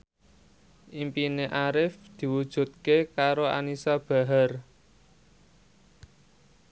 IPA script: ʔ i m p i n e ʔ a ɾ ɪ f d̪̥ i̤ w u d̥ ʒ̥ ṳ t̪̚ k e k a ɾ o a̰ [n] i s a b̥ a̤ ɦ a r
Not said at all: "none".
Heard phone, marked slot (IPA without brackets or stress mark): n